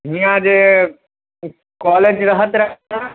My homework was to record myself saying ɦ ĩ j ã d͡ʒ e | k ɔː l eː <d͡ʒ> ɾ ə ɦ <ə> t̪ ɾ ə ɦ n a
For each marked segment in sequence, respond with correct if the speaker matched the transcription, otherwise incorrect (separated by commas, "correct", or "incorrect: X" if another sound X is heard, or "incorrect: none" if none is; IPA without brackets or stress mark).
correct, correct